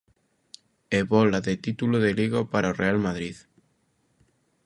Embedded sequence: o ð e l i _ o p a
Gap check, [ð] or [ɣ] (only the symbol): ɣ